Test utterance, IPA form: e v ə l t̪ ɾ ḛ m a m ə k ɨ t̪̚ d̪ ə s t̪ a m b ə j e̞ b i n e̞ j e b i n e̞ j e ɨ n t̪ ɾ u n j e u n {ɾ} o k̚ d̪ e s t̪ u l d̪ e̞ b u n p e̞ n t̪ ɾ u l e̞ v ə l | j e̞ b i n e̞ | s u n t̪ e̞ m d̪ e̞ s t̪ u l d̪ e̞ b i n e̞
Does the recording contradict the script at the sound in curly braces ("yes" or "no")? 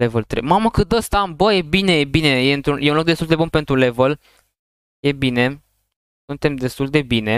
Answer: yes